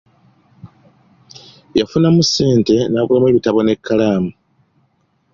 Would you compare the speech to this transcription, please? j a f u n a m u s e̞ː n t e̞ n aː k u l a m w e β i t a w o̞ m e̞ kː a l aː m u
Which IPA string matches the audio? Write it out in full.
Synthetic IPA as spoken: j a f u n a m u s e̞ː n t e̞ n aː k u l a m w e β i t a β o̞ n e̞ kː a l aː m u

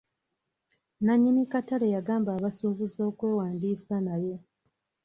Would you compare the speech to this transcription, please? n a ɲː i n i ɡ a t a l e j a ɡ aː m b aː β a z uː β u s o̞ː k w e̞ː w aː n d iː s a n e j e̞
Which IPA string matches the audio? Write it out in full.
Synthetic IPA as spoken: n a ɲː i n i k a t a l e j a ɡ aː m b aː β a s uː β u z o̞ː k w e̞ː w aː n d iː s a n a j e̞

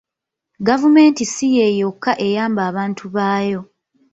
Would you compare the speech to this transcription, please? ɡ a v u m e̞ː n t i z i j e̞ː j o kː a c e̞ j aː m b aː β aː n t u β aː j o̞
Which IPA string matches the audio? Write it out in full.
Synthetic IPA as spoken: ɡ a v u m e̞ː n t i s i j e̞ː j o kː a ʔ e̞ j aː m b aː β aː n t u β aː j o̞

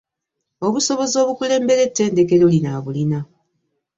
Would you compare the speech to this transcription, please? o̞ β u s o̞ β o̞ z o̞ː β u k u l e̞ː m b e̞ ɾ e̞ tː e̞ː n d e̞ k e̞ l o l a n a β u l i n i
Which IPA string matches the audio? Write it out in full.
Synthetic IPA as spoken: o̞ β u s o̞ β o̞ z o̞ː β u k u l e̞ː m b e̞ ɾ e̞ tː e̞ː n d e̞ k e̞ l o l i n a β u l i n a

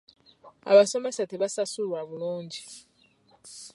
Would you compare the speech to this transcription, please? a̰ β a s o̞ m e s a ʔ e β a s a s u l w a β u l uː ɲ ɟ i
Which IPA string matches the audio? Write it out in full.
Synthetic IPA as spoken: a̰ β a s o̞ m e s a t e β a s a s u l w a β u l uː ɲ ɟ i

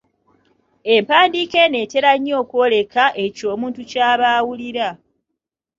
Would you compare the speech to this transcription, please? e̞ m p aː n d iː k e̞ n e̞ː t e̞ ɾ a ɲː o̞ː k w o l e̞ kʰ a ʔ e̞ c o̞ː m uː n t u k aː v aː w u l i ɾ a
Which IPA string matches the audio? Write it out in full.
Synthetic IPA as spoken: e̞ m p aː n d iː k e̞ n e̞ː t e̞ ɾ a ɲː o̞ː k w o l e̞ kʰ a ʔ e̞ c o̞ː m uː n t u c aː β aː w u l i ɾ a

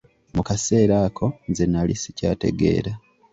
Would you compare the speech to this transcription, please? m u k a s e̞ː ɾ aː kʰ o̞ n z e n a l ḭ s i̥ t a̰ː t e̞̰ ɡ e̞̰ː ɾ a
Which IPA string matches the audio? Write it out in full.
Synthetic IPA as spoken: m u k a s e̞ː ɾ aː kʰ o̞ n z e n a l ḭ s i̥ c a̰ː t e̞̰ ɡ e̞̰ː ɾ a

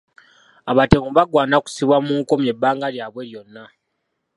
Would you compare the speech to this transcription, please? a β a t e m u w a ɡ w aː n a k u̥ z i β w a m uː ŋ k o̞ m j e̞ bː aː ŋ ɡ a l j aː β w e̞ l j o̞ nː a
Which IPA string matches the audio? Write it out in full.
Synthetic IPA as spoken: a β a t e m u β a ɡ w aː n a k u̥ s i β w a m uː ŋ k o̞ m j e̞ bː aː ŋ ɡ a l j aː β w e̞ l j o̞ nː a

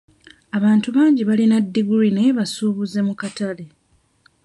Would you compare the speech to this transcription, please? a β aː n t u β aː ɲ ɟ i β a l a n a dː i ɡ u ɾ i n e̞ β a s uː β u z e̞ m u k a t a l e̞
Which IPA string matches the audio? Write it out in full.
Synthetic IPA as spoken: a β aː n t u β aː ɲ ɟ i β a l i n a dː i ɡ u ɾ i n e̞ β a s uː β u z e̞ m u k a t a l e̞

